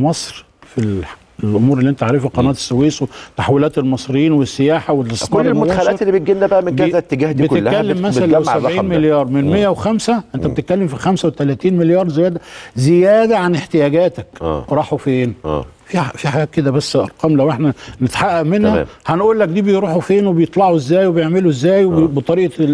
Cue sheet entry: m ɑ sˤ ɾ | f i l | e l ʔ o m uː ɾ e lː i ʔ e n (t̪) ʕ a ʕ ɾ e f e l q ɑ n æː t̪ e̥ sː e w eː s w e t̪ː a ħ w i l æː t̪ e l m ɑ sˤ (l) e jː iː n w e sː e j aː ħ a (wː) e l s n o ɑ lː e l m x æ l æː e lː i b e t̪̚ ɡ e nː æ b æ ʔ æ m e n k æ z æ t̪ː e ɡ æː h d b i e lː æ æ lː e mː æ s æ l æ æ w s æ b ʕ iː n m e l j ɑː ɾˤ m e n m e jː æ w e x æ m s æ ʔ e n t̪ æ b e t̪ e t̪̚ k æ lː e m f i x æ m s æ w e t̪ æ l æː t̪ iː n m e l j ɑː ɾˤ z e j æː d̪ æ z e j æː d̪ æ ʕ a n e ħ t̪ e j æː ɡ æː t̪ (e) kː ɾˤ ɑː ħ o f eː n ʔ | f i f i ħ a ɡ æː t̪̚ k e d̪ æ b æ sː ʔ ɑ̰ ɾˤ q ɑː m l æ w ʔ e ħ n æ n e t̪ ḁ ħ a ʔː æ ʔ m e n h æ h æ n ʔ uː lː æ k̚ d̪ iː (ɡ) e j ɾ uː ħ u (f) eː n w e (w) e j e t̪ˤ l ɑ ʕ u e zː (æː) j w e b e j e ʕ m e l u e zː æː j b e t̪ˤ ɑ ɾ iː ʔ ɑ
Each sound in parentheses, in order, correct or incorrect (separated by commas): correct, incorrect, incorrect, incorrect, incorrect, correct, incorrect, correct